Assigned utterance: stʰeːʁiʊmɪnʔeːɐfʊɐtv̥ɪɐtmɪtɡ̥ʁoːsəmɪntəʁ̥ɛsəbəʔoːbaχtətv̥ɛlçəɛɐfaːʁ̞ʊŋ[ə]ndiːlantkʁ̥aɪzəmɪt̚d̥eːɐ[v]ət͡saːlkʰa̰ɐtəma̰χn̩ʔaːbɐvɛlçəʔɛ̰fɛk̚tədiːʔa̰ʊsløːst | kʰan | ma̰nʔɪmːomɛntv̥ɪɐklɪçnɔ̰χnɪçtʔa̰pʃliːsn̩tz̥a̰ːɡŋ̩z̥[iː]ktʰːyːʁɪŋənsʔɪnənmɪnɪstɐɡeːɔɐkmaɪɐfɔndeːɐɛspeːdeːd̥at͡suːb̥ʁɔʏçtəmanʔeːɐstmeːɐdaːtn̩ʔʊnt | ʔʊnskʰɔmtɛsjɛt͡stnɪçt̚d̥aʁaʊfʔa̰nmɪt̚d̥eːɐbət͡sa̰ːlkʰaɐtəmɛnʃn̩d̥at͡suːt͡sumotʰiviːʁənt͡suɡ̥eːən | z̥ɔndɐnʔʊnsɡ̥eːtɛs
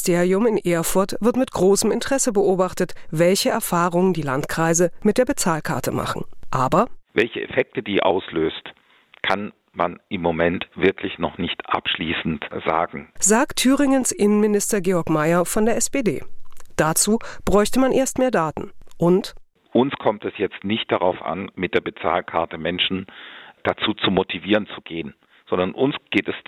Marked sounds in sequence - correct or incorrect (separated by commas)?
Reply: correct, incorrect, incorrect